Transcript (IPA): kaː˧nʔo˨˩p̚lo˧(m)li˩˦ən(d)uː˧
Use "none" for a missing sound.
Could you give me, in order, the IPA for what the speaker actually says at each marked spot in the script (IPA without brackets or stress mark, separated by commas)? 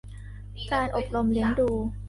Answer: m, d